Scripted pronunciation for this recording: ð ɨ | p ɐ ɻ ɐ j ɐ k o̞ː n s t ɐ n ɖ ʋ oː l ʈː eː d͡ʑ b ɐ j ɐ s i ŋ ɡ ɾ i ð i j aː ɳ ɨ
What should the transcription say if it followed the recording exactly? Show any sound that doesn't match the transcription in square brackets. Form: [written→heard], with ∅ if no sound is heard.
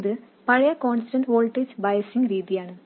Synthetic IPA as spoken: ð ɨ | p ɐ ɻ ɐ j ɐ k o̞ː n s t ɐ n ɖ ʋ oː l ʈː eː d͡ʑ b ɐ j ɐ s i ŋ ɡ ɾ [i→iː] ð i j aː ɳ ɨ